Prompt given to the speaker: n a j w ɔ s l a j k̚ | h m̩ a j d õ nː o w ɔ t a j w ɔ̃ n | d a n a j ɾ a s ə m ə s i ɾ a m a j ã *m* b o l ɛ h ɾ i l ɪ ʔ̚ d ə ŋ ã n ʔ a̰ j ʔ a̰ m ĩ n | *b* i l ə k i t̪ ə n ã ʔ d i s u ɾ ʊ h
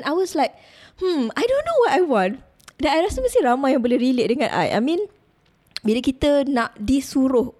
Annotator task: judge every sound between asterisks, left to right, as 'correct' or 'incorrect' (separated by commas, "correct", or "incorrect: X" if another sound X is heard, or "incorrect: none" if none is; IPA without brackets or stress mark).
incorrect: ŋ, correct